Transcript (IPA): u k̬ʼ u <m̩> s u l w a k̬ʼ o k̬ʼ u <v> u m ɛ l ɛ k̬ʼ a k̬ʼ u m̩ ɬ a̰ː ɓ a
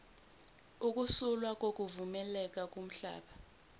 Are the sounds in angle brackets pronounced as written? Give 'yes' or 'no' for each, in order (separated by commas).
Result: no, yes